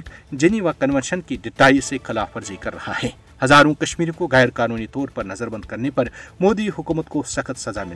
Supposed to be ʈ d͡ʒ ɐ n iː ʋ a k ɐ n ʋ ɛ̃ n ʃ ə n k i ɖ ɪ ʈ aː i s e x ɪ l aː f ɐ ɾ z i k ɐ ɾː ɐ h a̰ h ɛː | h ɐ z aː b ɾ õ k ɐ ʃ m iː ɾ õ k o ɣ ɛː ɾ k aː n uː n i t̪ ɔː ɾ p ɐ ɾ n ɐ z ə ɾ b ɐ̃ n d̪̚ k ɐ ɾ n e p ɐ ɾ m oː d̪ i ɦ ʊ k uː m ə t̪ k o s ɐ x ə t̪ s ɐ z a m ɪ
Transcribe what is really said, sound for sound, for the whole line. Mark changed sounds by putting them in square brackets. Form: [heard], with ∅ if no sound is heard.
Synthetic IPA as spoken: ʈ d͡ʒ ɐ n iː ʋ a k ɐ n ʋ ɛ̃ n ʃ ə n k i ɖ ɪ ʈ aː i s e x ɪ l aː f ɐ ɾ z i k ɐ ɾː ɐ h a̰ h ɛː | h ɐ z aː [∅] ɾ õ k ɐ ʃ m iː ɾ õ k o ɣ ɛː ɾ k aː n uː n i t̪ ɔː ɾ p ɐ ɾ n ɐ z ə ɾ b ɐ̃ n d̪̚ k ɐ ɾ n e p ɐ ɾ m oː d̪ i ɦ ʊ k uː m ə t̪ k o s ɐ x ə t̪ s ɐ z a m ɪ